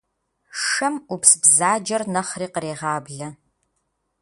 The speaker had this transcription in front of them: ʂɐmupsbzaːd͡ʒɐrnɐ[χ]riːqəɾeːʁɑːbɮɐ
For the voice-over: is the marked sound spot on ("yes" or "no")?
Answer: yes